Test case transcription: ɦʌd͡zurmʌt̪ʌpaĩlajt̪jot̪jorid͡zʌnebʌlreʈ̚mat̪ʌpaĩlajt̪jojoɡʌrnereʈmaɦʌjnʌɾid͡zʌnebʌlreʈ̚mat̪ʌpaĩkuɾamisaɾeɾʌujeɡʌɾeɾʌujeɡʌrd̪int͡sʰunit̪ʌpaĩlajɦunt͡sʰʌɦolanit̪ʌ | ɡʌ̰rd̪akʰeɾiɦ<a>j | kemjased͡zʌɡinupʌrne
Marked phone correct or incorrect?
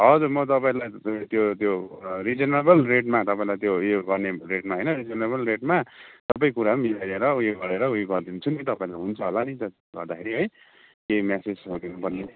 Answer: incorrect